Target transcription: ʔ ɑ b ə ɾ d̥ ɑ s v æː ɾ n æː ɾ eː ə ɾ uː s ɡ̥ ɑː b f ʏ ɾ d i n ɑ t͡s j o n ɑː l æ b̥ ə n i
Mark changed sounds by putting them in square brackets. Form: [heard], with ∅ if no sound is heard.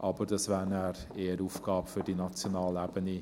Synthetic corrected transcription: ʔ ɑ b ə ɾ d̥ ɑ s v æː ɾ n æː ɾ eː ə ɾ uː [f] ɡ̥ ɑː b f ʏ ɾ d i n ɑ t͡s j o n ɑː l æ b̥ ə n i